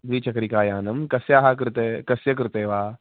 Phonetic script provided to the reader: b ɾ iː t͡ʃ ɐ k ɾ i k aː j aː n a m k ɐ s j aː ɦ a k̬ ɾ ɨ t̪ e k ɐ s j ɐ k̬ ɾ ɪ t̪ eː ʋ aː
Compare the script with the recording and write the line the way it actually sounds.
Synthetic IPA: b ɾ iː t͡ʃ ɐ k ɾ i k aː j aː n ɐ m k ɐ s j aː ɦ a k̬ ɾ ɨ t̪ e k ɐ s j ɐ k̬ ɾ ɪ t̪ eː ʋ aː